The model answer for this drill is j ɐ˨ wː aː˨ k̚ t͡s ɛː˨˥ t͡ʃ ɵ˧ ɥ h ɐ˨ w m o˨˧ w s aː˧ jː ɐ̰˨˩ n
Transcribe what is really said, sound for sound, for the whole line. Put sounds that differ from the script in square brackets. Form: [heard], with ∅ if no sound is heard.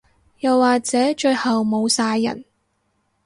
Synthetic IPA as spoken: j ɐ˨ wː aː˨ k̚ t͡s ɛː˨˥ t͡ʃ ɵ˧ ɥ h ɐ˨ w m o˨˧ w s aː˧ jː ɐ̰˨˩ n